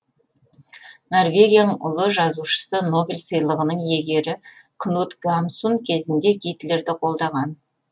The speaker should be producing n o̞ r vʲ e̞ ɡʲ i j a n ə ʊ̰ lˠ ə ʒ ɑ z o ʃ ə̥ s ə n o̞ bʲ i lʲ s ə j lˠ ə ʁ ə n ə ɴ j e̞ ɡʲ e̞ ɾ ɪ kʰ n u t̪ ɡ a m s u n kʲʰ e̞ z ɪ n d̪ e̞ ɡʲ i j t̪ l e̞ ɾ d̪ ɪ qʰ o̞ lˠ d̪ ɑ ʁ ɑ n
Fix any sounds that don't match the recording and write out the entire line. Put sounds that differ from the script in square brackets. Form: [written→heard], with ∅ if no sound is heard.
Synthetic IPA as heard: n o̞ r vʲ e̞ ɡʲ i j a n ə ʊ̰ lˠ ə ʒ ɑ z [o→u] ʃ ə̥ s ə n o̞ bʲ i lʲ s ə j lˠ ə ʁ ə n ə ɴ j e̞ ɡʲ e̞ ɾ ɪ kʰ n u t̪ ɡ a m s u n kʲʰ e̞ z ɪ n d̪ e̞ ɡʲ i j t̪ l e̞ ɾ d̪ ɪ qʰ o̞ lˠ d̪ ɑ ʁ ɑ n